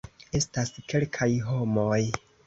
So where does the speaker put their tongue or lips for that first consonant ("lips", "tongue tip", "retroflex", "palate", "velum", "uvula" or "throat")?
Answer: tongue tip